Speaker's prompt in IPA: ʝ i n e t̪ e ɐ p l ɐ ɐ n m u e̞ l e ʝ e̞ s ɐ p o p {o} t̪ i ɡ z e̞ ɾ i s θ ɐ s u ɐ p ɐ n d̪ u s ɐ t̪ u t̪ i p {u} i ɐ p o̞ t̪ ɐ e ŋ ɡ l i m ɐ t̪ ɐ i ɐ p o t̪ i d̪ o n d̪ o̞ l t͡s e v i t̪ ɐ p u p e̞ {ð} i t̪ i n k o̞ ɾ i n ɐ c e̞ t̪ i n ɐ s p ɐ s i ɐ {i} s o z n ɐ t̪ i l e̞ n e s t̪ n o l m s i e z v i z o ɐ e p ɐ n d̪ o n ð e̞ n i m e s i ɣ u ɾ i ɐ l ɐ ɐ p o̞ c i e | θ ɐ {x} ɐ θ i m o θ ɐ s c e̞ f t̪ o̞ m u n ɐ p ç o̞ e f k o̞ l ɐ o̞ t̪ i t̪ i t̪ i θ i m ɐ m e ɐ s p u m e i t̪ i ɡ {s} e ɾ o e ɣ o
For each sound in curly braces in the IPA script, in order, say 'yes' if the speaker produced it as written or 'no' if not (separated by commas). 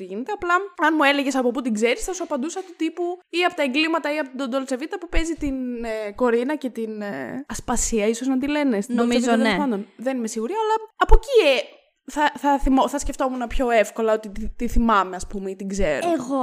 no, yes, no, yes, no, no